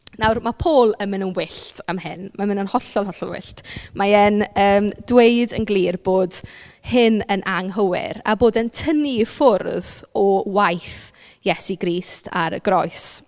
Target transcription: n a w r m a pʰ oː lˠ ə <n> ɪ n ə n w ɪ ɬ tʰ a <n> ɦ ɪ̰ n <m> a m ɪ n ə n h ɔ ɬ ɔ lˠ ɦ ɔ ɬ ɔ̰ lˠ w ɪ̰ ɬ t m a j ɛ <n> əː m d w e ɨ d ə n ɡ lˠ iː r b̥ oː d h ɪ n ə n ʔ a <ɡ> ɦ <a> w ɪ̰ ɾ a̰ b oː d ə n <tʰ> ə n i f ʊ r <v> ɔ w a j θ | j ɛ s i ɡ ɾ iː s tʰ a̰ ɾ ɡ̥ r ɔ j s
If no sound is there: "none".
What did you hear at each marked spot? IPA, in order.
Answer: m, m, m, n, ŋ, ə, tʰ, ð

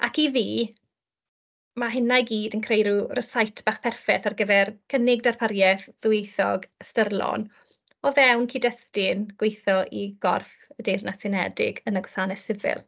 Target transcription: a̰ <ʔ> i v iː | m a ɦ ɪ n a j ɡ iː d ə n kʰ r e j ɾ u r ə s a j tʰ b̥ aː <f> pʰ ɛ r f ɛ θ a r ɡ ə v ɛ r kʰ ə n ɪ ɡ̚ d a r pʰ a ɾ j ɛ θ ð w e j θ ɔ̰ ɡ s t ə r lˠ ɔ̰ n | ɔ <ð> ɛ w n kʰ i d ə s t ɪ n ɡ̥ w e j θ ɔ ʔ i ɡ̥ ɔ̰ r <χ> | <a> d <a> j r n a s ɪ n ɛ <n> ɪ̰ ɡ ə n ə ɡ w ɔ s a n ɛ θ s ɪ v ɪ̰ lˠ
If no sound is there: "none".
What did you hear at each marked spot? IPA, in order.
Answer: k, χ, v, f, ə, e, d

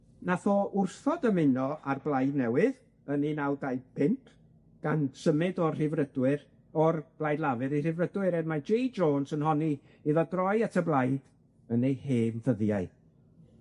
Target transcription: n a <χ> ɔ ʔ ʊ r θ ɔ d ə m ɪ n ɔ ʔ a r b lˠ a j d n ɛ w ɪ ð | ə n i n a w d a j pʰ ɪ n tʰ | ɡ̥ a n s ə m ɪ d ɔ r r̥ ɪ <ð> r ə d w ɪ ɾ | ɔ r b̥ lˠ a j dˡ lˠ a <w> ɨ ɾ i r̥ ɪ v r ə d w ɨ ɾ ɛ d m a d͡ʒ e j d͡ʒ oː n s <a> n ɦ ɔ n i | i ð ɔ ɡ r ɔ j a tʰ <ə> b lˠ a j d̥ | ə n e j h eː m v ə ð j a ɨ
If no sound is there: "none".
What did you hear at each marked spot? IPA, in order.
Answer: θ, v, v, ə, ə

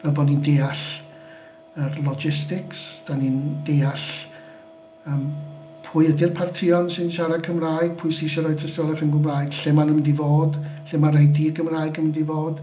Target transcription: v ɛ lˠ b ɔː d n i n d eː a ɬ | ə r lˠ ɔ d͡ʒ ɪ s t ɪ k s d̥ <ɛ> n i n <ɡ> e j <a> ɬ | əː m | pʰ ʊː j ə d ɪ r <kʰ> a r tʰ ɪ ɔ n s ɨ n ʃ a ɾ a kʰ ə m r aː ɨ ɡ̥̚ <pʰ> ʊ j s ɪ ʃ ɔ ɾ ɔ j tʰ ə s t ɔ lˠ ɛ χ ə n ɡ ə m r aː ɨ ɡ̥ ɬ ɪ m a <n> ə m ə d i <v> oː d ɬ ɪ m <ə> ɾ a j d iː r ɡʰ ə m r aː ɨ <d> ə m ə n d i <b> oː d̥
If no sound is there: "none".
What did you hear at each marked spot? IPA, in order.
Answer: a, d, a, pʰ, pʰ, n, v, a, ɡ, v

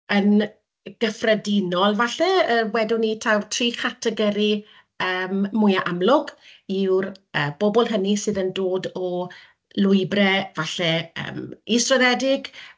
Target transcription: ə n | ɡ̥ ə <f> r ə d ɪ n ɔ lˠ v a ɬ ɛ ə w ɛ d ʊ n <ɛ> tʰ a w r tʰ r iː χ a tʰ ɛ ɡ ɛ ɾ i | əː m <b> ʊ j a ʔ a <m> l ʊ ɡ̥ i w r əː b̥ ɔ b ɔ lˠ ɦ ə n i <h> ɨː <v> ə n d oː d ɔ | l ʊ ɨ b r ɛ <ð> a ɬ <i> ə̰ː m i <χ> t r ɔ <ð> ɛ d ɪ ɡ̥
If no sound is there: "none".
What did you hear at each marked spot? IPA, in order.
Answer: f, i, m, m, s, ð, v, ɛ, s, ð

